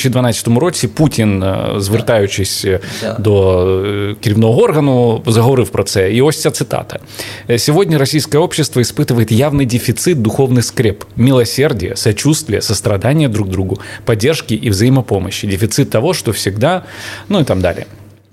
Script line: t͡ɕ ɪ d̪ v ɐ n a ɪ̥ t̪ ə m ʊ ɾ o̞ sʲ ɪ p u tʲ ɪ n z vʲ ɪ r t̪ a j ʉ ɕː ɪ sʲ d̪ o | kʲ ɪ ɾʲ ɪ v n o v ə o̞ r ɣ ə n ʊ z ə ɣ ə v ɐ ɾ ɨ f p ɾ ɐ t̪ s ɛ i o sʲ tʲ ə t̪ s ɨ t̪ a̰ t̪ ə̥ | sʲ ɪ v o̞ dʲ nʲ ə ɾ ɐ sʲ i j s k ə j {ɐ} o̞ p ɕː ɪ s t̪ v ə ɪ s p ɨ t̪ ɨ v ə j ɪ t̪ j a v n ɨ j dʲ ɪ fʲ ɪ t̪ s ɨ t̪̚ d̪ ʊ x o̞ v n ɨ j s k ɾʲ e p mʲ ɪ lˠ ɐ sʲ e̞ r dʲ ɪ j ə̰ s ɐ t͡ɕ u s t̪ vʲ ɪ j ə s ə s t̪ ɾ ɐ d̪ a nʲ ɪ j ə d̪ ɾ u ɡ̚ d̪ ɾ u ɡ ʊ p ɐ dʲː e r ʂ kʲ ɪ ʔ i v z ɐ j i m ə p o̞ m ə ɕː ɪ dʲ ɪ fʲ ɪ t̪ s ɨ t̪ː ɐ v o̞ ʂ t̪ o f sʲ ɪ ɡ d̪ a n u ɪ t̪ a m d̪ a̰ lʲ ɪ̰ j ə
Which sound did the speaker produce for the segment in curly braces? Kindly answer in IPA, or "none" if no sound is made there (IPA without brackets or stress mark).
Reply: ə